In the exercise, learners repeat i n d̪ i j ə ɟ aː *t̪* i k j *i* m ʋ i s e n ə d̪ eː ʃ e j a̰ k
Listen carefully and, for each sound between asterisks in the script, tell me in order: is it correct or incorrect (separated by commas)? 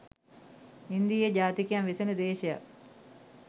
correct, incorrect